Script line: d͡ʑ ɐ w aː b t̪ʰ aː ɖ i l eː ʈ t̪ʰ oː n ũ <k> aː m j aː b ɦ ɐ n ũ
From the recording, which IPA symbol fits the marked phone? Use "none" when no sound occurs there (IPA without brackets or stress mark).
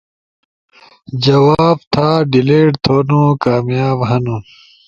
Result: k